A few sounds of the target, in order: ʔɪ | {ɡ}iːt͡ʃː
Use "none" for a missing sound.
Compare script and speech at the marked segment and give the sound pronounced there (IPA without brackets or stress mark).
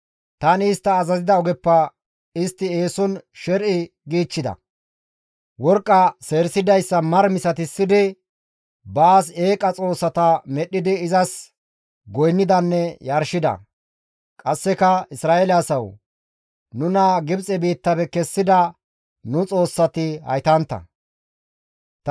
ɡ